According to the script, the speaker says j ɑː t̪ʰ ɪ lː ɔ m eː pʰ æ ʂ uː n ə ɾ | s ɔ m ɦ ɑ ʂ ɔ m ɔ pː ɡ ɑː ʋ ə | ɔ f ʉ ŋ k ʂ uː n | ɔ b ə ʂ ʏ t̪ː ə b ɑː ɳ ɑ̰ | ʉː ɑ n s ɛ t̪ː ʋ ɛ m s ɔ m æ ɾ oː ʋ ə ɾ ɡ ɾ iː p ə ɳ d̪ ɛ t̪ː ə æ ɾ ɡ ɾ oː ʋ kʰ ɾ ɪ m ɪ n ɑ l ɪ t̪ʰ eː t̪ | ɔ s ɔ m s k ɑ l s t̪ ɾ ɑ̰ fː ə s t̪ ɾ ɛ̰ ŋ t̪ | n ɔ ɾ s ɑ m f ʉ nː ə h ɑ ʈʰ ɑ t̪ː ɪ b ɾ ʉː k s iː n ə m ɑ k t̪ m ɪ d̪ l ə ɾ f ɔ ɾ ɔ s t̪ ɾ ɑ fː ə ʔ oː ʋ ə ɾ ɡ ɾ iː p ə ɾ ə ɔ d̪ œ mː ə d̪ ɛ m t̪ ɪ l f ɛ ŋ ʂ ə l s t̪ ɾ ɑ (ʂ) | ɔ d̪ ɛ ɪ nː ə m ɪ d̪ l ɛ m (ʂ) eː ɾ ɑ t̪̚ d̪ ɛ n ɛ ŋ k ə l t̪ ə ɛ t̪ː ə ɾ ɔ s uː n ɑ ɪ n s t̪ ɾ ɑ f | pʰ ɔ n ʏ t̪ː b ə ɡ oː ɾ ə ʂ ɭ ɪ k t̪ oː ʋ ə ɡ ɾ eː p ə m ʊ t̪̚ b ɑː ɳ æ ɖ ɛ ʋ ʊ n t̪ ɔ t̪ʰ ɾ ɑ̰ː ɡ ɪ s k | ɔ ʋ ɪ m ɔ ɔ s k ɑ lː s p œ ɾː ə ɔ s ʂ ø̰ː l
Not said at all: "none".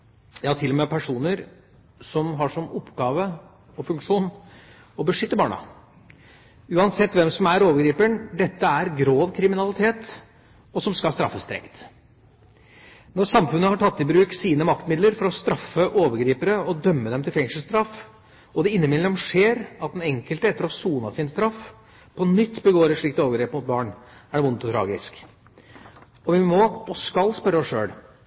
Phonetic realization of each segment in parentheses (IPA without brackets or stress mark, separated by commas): f, ʂ